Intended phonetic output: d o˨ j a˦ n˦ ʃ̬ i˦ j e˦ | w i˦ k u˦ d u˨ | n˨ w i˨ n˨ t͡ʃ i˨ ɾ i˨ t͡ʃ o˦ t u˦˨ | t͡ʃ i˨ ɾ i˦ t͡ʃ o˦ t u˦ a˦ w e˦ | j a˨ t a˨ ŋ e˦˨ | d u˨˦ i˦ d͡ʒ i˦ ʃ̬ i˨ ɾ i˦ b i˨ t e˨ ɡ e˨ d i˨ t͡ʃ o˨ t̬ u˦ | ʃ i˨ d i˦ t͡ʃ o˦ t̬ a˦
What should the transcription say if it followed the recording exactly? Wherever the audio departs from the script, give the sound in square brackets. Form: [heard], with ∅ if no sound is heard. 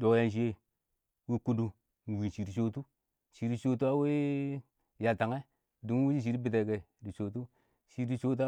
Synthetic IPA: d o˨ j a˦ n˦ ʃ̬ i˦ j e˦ | w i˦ k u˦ d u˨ | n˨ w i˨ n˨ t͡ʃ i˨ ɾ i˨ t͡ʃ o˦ t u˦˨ | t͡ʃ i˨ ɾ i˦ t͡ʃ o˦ t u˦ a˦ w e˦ | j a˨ t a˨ ŋ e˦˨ | d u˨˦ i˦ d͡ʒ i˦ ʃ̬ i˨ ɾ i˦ b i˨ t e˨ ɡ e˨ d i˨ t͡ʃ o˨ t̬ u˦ | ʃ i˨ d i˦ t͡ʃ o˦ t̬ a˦